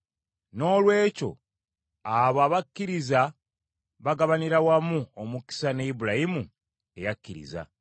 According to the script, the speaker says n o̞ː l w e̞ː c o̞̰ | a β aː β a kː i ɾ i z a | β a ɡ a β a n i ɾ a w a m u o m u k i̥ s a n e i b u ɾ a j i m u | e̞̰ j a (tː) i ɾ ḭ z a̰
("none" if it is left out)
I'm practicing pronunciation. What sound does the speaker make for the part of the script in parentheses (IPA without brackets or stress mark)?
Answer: kː